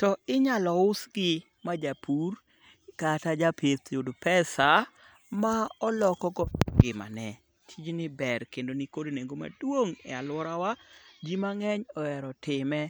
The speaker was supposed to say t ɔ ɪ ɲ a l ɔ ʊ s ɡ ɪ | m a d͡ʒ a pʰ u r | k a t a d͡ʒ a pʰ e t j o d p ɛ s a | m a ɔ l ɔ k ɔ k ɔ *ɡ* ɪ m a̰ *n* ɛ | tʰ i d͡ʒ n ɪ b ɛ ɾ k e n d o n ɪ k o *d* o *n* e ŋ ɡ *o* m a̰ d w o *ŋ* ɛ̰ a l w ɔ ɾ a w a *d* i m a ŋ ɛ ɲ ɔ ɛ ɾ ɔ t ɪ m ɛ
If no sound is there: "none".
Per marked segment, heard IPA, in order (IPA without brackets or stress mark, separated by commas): ɡ, n, d, n, o, ŋ, d͡ʒ